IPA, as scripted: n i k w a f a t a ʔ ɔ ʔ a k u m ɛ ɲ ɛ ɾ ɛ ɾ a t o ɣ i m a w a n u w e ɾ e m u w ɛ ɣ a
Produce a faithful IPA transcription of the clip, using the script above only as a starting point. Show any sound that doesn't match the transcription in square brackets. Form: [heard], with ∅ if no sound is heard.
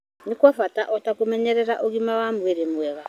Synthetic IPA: n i k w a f a t a ʔ ɔ [t] a k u m ɛ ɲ ɛ ɾ ɛ ɾ a [ʔ] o ɣ i m a w a [m] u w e ɾ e m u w ɛ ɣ a